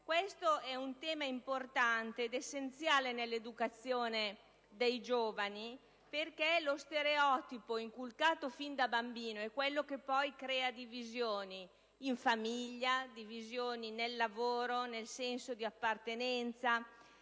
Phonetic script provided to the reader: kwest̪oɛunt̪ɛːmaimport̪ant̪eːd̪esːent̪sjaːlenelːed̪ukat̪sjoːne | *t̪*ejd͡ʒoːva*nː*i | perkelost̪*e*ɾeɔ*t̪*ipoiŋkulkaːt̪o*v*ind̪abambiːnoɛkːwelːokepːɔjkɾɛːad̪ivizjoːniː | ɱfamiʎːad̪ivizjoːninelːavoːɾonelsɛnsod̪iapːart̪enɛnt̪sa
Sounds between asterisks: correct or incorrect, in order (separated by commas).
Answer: incorrect, incorrect, correct, correct, incorrect